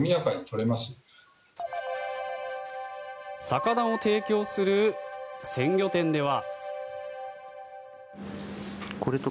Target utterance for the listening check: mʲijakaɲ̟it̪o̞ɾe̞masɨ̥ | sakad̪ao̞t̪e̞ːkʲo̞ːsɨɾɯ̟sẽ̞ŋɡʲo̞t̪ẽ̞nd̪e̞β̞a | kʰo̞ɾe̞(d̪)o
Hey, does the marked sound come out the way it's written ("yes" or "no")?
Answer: no